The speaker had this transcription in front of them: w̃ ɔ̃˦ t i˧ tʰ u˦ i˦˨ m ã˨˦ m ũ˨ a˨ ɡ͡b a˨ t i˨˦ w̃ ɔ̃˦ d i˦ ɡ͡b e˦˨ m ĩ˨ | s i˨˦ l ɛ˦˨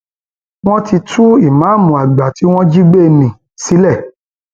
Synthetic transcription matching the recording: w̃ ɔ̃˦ t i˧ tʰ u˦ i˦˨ m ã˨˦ m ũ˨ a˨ ɡ͡b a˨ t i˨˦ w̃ ɔ̃˦ d͡ʒ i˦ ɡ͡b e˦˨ n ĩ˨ | s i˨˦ l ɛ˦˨